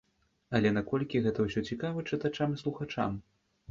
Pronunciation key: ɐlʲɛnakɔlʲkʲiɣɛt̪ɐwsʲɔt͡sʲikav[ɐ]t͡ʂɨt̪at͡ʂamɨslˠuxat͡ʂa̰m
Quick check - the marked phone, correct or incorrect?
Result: correct